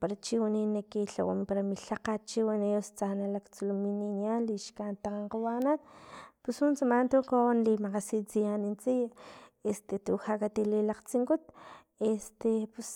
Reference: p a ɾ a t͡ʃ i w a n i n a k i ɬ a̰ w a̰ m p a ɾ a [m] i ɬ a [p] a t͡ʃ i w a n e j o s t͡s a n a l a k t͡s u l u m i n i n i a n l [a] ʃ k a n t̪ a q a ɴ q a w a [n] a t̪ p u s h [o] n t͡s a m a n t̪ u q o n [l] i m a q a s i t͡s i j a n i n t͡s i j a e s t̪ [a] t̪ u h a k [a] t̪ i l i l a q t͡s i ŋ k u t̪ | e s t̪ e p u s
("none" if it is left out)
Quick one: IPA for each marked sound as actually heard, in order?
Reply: m, q, i, n, u, l, e, a

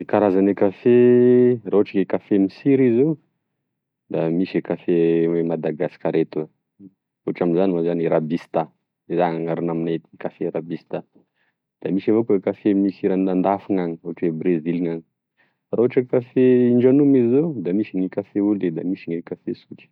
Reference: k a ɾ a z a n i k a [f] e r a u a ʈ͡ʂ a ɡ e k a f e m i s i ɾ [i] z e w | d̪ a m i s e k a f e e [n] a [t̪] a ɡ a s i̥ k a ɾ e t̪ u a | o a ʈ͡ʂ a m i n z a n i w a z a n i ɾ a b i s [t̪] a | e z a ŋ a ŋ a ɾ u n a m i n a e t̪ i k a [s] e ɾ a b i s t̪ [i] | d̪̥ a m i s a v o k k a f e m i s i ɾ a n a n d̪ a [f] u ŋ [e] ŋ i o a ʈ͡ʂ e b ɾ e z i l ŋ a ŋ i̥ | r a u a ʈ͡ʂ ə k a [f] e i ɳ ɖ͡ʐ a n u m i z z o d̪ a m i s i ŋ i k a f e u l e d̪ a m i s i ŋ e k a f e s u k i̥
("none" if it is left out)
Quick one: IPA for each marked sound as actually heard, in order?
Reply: f, i, m, d̪, t̪, f, a, f, a, f

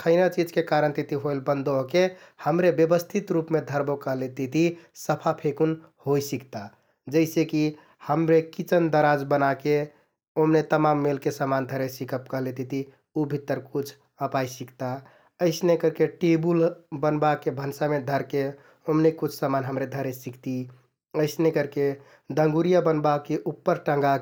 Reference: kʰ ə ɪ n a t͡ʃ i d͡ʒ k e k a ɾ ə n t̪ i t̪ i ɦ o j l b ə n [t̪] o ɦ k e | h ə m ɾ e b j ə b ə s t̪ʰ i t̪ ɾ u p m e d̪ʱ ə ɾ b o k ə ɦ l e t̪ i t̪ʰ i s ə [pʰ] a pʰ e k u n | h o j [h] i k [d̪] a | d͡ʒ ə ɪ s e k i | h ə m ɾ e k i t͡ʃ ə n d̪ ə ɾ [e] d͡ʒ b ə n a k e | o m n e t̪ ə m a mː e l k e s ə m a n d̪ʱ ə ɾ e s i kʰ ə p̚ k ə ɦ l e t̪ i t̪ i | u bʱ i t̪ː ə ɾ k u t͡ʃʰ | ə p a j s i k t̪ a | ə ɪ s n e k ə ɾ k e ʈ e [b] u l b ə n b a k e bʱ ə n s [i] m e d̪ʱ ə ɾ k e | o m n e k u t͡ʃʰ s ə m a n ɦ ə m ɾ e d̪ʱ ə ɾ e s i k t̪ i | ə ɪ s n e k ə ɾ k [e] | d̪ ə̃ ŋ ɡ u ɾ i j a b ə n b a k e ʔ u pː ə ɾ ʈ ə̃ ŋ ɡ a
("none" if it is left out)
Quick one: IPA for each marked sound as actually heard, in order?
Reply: d̪, pʰ, s, t̪, a, b, a, e

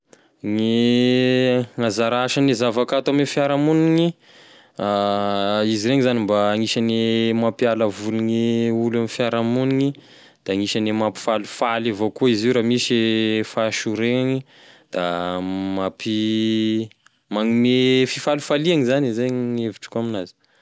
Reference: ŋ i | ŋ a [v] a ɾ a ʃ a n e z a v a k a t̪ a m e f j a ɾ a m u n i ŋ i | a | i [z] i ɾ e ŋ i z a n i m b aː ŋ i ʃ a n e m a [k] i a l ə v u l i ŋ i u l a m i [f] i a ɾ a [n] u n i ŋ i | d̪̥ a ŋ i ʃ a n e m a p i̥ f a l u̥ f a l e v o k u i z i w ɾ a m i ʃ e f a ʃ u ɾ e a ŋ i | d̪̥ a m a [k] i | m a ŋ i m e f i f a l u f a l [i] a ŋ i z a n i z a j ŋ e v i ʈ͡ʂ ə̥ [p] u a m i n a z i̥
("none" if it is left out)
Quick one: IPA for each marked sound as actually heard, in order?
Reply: z, z, p, f, m, p, i, k

